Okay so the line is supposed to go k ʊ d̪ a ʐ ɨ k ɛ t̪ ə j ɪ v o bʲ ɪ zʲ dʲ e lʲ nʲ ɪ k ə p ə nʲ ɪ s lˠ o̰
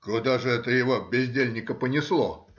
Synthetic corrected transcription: k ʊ d̪ a ʐ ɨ ɛ t̪ ə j ɪ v o bʲ ɪ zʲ dʲ e lʲ nʲ ɪ k ə p ə nʲ ɪ s lˠ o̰